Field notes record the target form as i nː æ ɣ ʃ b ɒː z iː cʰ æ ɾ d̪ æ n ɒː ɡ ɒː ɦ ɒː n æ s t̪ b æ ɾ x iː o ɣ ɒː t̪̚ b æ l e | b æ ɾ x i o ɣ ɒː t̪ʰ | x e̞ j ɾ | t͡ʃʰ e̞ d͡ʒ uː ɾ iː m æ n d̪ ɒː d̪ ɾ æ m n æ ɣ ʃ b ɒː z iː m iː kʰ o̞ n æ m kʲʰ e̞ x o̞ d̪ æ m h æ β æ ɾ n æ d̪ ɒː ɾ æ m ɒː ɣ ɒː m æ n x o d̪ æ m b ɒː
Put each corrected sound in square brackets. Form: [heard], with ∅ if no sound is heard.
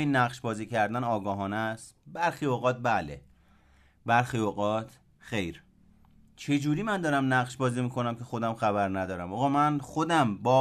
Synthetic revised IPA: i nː æ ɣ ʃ b ɒː z iː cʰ æ ɾ d̪ æ n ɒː ɡ ɒː ɦ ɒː n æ s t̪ b æ ɾ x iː o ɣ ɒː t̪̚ b æ l e | b æ ɾ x i o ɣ ɒː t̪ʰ | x e̞ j ɾ | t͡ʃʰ e̞ d͡ʒ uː ɾ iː m æ n d̪ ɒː [∅] ɾ æ m n æ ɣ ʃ b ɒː z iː m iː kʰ o̞ n æ m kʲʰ e̞ x o̞ d̪ æ m [x] æ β æ ɾ n æ d̪ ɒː ɾ æ m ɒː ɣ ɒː m æ n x o d̪ æ m b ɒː